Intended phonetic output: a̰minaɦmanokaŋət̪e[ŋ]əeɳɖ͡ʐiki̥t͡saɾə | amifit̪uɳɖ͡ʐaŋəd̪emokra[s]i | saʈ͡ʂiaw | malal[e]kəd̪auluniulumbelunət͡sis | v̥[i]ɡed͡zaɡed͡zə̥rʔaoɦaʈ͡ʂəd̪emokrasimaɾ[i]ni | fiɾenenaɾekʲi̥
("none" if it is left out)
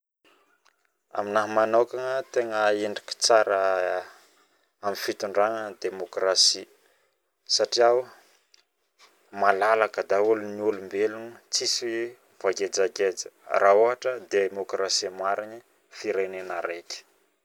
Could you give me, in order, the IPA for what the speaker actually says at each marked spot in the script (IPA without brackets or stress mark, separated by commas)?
ŋ, s, a, a, i